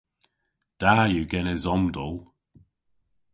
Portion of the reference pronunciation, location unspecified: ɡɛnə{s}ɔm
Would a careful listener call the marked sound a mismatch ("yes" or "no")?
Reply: yes